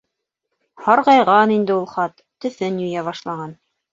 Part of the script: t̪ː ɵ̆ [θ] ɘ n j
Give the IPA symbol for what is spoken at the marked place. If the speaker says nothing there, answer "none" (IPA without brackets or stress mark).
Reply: θ